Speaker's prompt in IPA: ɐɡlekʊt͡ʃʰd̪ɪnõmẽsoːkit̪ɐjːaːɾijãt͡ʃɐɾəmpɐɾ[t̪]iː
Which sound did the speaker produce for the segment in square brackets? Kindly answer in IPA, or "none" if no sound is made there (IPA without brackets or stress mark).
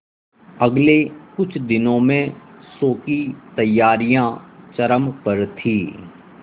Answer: t̪ʰ